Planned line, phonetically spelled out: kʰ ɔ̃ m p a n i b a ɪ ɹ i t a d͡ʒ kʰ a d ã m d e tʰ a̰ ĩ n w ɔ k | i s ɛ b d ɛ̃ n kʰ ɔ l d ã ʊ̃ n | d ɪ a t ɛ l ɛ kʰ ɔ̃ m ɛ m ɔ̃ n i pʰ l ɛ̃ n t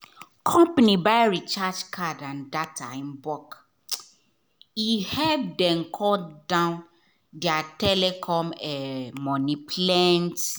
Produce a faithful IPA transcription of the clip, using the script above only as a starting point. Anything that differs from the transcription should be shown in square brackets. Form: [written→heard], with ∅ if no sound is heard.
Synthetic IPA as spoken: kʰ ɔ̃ m p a n i b a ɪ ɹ i [t→t͡ʃ] a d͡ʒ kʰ a d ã [m→n] d [e→a] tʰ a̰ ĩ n [w→b] ɔ k | i [s→h] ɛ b d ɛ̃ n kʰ ɔ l d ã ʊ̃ n | d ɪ a t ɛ l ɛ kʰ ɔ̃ m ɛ m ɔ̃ n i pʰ l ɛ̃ n t